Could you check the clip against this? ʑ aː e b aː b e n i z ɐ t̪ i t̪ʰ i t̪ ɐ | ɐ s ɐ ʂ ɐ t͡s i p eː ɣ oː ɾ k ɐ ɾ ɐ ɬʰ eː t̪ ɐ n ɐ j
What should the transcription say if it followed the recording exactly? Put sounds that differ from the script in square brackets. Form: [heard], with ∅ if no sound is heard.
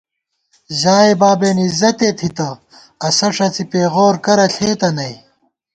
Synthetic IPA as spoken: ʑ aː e b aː b e n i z ɐ t̪ [e] t̪ʰ i t̪ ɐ | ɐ s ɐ ʂ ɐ t͡s i p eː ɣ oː ɾ k ɐ ɾ ɐ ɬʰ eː t̪ ɐ n ɐ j